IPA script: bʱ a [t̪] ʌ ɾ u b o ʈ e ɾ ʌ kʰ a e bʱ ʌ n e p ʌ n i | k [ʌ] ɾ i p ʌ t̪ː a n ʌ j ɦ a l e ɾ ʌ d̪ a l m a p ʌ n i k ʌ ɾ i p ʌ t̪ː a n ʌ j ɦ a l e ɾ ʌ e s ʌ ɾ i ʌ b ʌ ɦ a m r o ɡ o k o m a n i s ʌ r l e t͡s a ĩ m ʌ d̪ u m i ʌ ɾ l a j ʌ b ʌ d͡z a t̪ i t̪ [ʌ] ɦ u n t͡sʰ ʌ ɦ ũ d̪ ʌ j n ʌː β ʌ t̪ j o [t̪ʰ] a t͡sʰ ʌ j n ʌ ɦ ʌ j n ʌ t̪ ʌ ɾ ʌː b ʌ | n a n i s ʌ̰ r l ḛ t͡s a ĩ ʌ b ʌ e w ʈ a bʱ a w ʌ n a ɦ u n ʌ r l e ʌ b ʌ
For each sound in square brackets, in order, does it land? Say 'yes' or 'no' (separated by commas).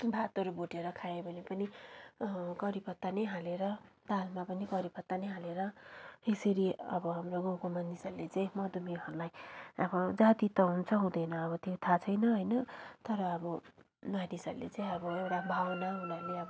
yes, yes, yes, yes